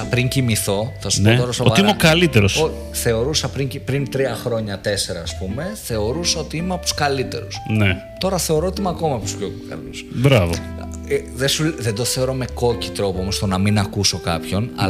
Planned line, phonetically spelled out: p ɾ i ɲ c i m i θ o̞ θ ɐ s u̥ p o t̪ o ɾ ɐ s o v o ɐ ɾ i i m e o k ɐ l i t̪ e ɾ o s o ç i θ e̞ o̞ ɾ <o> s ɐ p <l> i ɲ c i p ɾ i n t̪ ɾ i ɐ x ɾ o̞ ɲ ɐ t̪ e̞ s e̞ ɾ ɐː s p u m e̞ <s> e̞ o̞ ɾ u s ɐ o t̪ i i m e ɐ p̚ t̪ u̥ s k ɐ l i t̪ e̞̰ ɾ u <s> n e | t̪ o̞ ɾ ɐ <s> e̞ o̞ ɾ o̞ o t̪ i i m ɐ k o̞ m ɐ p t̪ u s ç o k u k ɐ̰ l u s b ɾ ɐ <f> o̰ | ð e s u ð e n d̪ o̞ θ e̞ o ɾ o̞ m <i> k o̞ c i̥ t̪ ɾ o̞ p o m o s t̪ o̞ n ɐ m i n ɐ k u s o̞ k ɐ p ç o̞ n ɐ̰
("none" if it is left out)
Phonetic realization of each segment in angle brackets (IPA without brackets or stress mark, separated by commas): u, ɾ, θ, s, θ, v, e